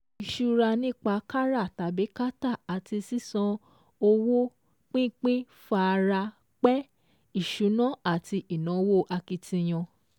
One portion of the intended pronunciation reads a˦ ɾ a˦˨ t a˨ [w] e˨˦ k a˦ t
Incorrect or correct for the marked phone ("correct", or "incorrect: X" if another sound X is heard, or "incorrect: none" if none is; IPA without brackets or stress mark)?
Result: incorrect: b